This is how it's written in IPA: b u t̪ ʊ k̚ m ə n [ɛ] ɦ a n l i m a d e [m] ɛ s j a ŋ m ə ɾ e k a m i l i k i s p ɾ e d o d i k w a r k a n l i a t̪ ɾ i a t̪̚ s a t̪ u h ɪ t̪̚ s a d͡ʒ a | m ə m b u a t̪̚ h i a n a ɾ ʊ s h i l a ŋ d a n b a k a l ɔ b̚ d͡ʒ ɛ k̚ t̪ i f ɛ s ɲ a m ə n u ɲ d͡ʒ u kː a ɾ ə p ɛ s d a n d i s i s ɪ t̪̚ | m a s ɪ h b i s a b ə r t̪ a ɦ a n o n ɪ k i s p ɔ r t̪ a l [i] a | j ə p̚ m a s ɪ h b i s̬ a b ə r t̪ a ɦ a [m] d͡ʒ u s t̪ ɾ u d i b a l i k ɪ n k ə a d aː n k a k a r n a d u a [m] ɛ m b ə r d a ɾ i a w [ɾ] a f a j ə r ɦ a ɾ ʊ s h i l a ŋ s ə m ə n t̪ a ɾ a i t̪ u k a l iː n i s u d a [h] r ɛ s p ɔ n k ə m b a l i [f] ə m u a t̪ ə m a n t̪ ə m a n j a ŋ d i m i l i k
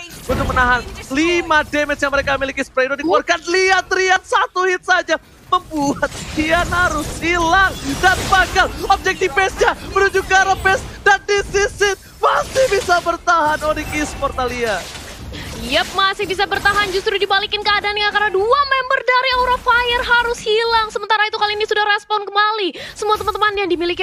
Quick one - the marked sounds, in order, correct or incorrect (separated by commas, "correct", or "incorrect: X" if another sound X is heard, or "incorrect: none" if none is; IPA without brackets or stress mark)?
incorrect: a, correct, correct, incorrect: n, correct, correct, correct, incorrect: s